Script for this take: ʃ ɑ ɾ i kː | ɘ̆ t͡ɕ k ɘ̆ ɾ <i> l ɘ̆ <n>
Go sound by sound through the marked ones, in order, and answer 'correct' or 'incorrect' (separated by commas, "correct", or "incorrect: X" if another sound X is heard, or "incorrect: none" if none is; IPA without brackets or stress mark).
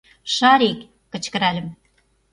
incorrect: æ, incorrect: m